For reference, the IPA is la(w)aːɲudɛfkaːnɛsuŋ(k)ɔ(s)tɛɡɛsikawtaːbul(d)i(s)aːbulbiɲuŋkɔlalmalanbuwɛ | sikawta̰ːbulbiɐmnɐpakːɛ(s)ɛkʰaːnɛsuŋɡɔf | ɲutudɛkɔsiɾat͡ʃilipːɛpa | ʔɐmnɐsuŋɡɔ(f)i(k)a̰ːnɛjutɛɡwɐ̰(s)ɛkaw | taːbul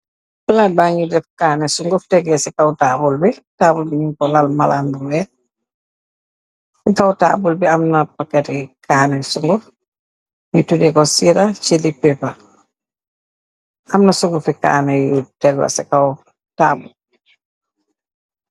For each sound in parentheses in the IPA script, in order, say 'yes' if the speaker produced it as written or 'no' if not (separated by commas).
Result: no, no, no, no, no, no, yes, yes, yes